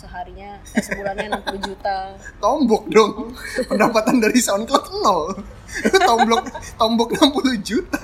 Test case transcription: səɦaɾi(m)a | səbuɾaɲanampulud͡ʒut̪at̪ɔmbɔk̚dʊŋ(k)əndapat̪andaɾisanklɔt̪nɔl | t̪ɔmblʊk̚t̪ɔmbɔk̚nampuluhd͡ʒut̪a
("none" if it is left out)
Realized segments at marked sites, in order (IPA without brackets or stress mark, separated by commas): ɲ, p